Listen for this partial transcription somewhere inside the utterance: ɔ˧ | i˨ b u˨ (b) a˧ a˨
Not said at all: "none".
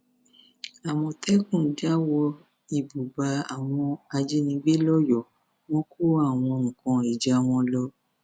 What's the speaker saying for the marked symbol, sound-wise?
b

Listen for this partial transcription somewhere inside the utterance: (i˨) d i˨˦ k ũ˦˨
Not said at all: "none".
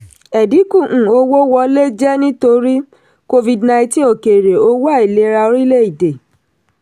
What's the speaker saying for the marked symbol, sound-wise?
ɛ˨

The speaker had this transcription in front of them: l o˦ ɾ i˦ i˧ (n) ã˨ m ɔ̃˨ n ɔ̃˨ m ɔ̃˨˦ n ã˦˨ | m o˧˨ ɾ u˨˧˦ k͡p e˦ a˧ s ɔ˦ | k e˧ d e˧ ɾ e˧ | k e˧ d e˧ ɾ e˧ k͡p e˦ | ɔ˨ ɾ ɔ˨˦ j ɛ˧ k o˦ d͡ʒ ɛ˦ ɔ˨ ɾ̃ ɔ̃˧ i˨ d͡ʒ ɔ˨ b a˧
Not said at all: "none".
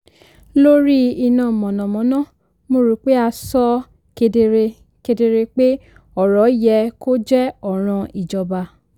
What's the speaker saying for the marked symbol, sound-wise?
n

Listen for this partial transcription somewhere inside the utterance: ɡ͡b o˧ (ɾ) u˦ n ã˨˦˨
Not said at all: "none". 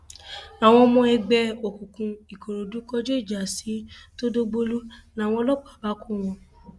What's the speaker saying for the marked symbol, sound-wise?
l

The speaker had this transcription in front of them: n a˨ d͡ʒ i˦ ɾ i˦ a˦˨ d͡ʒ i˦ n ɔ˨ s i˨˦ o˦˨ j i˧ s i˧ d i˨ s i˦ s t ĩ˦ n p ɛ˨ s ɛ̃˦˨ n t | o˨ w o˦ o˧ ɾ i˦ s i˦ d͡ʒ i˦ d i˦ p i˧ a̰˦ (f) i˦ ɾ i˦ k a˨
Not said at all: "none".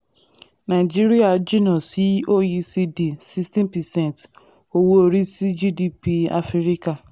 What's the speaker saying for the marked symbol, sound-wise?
f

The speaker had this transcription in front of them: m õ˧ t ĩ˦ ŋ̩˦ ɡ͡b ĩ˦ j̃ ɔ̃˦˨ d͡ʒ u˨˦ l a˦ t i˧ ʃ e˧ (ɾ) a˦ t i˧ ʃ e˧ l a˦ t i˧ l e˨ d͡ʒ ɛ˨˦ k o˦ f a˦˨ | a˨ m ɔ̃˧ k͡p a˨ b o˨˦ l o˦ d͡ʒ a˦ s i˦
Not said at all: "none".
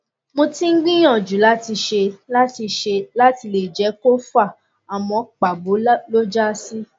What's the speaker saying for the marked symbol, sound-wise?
l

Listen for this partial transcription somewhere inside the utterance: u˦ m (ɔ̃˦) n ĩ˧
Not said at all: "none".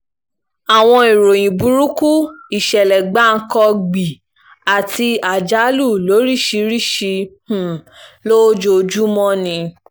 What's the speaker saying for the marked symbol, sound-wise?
ɔ̃˦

